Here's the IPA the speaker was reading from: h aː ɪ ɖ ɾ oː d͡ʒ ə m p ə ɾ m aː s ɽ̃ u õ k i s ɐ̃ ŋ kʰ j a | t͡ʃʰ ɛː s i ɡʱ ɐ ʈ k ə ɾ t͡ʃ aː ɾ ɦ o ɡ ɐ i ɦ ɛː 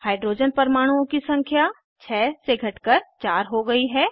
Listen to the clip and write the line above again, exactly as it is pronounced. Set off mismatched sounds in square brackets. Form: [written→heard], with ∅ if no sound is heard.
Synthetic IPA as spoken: h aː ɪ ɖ ɾ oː d͡ʒ ə [m→n] p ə ɾ m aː [s→∅] ɽ̃ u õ k i s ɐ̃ ŋ kʰ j a | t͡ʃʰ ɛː s [i→e] ɡʱ ɐ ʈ k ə ɾ t͡ʃ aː ɾ ɦ o ɡ ɐ i ɦ ɛː